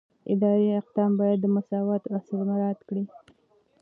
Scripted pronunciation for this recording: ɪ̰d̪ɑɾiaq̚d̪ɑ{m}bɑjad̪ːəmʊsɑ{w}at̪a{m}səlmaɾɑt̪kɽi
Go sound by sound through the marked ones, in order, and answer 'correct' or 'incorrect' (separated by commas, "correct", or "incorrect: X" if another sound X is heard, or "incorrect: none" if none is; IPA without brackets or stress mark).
correct, correct, incorrect: none